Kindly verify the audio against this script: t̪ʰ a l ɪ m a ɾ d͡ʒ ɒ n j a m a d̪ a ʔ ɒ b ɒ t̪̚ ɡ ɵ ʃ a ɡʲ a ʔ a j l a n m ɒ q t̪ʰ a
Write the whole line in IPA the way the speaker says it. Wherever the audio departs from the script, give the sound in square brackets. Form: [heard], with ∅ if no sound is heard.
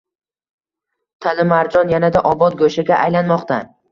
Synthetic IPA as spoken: t̪ʰ a l ɪ m a ɾ d͡ʒ ɒ n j a [n] a d̪ a ʔ ɒ b ɒ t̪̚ ɡ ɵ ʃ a ɡʲ a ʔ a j l a n m ɒ q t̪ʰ a